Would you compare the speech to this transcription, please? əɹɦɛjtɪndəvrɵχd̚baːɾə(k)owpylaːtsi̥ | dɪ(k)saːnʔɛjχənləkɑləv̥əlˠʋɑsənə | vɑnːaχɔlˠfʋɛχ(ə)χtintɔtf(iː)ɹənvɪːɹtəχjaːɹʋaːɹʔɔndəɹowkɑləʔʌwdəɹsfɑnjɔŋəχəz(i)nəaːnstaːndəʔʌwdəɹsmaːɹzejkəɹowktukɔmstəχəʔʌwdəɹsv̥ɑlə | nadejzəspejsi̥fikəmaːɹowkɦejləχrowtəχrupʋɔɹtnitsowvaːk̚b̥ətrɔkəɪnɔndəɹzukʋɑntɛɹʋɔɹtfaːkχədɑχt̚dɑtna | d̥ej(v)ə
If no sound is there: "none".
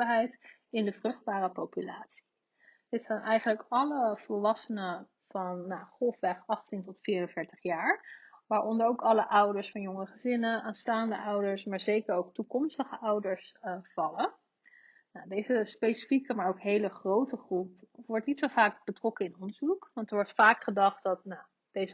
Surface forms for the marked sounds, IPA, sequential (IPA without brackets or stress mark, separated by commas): p, t, ɑ, iː, ɪ, z